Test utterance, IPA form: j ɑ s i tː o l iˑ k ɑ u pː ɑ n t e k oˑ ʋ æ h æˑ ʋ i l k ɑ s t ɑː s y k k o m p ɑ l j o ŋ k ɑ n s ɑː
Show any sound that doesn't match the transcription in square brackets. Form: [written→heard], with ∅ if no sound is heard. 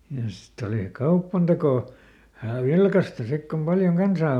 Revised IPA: j ɑ s i tː o l iˑ k ɑ u pː ɑ n t e k oˑ ʋ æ h æˑ ʋ i l k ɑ s t [ɑː→ɑ] s [y→i] k k o m p ɑ l j o ŋ k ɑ n s ɑː

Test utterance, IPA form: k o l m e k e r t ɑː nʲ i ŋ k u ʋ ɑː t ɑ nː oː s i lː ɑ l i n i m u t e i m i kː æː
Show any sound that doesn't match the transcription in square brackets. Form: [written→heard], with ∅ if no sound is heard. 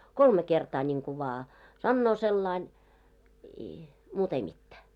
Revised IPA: k o l m e k e r t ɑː nʲ i ŋ k u ʋ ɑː [t→s] ɑ nː oː s [i→e] lː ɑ [l→∅] i n i m [u→uː] t e i m i [kː→tː] æː

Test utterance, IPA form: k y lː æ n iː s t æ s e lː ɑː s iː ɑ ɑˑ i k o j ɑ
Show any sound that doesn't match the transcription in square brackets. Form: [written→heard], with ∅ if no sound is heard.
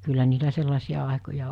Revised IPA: k y lː æ n iː [s→∅] t æ s e lː [ɑː→ɑ] s [iː→i] ɑ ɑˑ [i→e] k o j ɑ

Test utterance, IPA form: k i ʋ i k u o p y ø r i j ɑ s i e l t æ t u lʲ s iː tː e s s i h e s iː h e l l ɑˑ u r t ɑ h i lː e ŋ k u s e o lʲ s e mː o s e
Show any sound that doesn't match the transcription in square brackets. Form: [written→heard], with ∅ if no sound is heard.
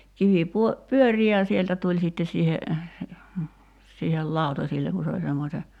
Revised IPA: k i ʋ i [k→p] u o p y ø r i j ɑ s i e l t æ t u lʲ s [iː→i] tː e s s [i→iː] h e s iː h e l l ɑˑ u [r→∅] t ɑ [h→s] i lː e ŋ k u s e o lʲ s e mː o s e

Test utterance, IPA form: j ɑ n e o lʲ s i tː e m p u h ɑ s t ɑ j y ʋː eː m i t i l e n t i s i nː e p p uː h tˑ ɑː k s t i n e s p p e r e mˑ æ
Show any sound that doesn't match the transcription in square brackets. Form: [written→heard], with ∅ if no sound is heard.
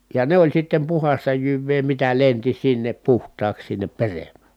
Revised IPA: j ɑ n e o lʲ s i tː e m p u h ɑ s t ɑ j y ʋː eː m i t [i→æ] l e n t i s i nː e p p [uː→u] h tˑ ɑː k s [t→s] i [n→nː] e [s→∅] p p e r e mˑ æ

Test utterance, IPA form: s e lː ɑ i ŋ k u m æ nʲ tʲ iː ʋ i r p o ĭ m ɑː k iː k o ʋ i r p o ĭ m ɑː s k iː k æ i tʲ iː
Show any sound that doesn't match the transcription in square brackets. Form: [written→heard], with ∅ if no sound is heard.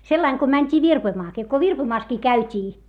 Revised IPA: s e lː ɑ i ŋ k [u→o] m æ nʲ tʲ iː ʋ i r p o ĭ m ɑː k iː k o ʋ i r p o ĭ m ɑː s k iː k æ [i→y] tʲ iː

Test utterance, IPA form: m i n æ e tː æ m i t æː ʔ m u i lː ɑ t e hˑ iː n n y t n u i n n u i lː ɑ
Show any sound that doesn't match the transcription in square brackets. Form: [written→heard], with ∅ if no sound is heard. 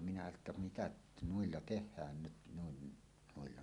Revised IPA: m i n æ e tː æ m i t [æː→æ] ʔ [m→n] u i lː ɑ t e hˑ [iː→æː] n n y t n u i n n u i lː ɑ

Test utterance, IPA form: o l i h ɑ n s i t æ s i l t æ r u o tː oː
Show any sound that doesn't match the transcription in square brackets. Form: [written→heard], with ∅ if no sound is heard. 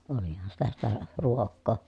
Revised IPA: o l i h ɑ n s i t æ s i [l→∅] t æ r u o [tː→kː] oː

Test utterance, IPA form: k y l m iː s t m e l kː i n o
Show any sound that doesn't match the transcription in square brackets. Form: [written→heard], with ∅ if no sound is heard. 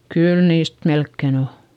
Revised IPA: k y l [m→n] iː s t m e l kː [i→e] n o

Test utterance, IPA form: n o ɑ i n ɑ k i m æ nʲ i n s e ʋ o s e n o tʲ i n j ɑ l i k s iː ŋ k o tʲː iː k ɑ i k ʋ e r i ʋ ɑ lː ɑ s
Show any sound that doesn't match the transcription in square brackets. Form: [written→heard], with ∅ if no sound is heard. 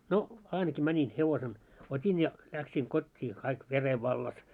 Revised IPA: n o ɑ i n ɑ k i m æ nʲ i n [s→h] e ʋ o s e n o tʲ i n j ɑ l [i→æ] k s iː ŋ k o tʲː iː k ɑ i k ʋ e r [i→e] ʋ ɑ lː ɑ s

